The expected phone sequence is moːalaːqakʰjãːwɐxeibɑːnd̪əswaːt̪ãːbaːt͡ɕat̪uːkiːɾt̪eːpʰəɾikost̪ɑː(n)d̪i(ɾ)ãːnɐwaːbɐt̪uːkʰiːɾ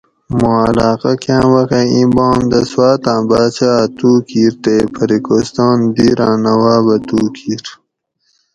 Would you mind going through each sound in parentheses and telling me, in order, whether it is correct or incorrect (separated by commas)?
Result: correct, correct